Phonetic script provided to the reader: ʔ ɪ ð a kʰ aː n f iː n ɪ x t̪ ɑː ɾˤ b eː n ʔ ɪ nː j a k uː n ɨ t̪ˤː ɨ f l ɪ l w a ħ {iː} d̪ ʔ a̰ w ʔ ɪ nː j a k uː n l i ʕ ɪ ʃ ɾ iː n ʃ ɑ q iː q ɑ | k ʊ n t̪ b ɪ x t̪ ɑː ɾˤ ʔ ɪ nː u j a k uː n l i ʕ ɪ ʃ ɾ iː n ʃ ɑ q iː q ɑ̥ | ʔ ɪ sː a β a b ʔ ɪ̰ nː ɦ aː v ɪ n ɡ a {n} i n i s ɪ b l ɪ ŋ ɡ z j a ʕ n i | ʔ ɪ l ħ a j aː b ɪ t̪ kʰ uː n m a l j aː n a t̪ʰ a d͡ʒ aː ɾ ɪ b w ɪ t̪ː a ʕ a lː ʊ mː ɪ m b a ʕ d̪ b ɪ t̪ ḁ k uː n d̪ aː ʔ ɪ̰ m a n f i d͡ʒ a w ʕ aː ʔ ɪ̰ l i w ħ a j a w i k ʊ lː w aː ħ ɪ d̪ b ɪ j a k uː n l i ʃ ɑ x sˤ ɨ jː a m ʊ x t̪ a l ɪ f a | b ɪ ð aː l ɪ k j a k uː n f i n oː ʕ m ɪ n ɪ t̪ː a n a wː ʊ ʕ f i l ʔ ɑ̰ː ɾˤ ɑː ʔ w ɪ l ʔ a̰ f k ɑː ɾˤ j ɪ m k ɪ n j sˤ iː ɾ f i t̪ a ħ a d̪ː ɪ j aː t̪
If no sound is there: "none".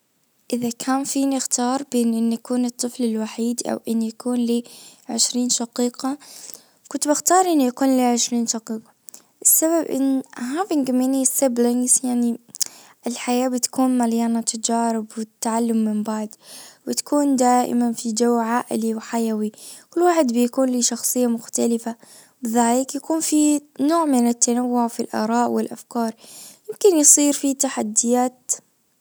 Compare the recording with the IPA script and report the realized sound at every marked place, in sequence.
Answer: iː, m

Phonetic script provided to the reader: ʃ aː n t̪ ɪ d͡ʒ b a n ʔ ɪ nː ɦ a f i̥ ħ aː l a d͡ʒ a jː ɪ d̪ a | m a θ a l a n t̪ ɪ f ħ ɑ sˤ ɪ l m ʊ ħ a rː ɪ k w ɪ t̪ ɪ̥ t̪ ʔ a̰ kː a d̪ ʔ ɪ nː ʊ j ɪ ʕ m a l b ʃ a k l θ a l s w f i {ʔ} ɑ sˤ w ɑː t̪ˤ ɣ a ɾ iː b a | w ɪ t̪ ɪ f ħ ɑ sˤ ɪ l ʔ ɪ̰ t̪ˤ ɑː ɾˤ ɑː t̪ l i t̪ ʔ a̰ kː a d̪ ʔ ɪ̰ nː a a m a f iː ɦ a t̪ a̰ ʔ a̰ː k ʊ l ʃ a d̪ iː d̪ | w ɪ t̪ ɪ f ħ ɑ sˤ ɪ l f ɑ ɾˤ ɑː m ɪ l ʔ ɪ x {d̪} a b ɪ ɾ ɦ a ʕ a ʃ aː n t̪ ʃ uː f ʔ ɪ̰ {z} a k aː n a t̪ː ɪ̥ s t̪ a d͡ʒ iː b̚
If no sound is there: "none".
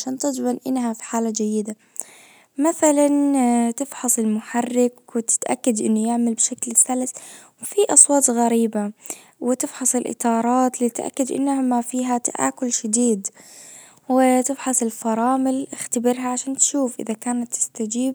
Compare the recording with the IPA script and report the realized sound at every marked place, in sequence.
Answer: ʔ, t̪, ð

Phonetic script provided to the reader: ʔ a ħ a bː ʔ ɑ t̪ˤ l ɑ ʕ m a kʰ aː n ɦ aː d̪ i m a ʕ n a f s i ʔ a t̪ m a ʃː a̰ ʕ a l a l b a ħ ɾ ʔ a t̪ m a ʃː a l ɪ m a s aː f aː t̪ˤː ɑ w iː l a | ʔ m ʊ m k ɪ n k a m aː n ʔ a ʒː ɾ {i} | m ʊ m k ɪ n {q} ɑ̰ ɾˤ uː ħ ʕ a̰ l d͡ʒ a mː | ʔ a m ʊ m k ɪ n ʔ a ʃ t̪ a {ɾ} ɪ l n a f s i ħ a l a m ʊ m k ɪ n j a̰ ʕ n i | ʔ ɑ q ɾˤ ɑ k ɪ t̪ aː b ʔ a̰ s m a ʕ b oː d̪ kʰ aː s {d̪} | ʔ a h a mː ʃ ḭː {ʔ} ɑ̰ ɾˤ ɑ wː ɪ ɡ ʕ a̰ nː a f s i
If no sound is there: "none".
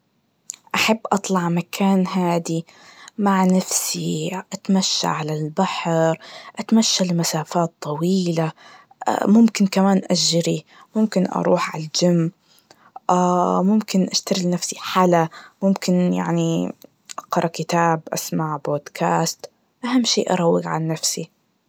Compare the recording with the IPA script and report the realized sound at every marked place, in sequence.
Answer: i, ʔ, ɾ, t̪, ʔ

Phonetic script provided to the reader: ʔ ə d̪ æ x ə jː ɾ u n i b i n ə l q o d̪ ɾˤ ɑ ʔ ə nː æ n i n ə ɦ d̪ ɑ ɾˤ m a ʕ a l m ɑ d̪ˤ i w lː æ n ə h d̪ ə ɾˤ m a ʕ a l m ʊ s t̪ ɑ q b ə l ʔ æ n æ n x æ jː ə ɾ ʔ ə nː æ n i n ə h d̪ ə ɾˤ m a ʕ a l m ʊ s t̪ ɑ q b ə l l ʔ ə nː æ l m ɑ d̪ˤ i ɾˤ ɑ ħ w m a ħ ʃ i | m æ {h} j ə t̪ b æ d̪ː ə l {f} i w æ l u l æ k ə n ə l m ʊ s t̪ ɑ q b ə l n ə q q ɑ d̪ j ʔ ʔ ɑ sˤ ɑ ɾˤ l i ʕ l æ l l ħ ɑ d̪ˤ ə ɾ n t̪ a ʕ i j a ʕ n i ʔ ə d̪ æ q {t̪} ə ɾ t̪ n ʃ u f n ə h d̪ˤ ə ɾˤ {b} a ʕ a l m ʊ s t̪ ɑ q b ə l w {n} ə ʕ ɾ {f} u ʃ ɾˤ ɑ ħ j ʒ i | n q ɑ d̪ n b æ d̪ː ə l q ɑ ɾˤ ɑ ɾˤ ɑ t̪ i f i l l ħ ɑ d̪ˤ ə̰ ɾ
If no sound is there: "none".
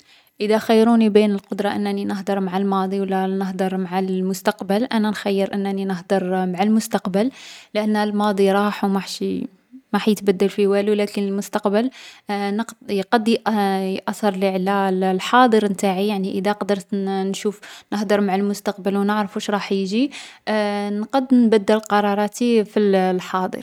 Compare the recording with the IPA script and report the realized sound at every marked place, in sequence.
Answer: ħ, f, d̪, m, n, f

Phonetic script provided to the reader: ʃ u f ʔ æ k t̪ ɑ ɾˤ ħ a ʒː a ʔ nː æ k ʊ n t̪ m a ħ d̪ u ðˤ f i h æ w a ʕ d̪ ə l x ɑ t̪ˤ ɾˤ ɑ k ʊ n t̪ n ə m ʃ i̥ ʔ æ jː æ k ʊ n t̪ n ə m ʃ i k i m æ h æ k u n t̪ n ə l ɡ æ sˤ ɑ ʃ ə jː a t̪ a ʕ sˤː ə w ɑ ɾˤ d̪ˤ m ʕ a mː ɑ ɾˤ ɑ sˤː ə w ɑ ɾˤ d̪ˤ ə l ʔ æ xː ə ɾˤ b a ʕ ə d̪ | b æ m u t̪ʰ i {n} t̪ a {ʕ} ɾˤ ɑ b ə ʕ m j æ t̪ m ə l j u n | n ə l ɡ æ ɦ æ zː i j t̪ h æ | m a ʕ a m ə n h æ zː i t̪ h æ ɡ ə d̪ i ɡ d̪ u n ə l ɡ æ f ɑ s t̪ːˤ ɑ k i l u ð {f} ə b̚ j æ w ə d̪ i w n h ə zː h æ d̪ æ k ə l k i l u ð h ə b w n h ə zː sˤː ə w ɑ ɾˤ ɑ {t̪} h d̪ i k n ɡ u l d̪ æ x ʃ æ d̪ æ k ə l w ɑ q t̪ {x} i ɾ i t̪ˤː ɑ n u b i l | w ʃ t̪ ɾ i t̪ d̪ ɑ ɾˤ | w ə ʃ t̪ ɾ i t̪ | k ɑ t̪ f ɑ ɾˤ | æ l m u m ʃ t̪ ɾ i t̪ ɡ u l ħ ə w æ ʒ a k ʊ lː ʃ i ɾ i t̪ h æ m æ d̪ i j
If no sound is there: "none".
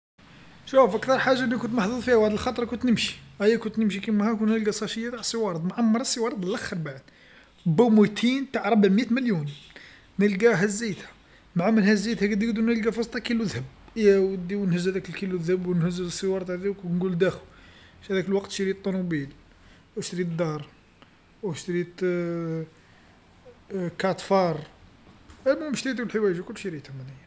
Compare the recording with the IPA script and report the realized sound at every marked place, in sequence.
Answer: n, ʕ, h, t̪, ʃ

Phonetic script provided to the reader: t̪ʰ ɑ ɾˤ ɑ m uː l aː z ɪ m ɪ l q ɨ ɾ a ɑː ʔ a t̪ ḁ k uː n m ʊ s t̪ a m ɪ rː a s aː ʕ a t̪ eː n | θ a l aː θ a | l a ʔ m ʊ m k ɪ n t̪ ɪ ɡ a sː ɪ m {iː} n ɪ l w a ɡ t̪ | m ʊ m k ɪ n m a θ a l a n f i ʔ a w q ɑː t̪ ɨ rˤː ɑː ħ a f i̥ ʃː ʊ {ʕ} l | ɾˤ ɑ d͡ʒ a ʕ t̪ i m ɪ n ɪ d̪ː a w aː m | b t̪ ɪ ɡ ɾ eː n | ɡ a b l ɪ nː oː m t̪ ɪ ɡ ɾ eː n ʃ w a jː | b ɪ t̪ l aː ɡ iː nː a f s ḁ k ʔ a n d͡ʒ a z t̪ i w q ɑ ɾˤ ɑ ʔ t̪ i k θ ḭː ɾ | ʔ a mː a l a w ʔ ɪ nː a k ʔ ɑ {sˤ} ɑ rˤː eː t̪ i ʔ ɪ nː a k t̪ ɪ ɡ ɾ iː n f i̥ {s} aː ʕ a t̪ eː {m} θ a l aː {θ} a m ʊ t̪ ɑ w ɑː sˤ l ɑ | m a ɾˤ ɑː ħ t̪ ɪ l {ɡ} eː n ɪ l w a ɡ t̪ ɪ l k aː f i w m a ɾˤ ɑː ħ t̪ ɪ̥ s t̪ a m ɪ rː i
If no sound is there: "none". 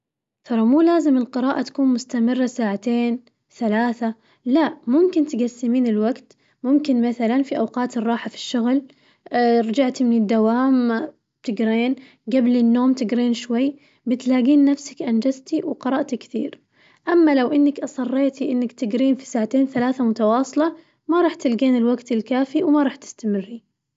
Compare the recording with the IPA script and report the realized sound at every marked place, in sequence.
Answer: iː, ɣ, sˤ, s, n, θ, ɡ

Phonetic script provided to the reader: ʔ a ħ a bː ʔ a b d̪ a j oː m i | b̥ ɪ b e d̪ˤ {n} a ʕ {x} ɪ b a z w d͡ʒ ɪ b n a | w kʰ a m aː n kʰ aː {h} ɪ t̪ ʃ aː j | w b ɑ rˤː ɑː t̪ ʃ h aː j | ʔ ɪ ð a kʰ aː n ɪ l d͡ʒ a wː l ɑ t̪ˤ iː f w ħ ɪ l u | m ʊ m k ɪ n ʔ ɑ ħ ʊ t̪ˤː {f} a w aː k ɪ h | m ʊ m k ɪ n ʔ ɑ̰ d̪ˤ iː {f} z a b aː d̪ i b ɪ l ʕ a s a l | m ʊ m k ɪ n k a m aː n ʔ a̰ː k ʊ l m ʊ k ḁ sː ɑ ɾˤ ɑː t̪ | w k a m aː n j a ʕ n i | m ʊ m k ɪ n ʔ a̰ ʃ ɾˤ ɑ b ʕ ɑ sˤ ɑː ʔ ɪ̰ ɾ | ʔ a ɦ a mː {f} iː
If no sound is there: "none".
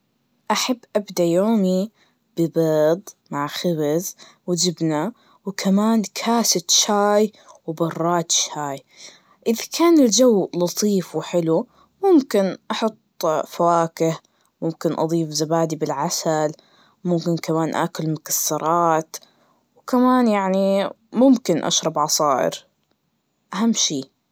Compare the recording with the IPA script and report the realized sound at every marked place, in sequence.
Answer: m, x, s, f, f, ʃ

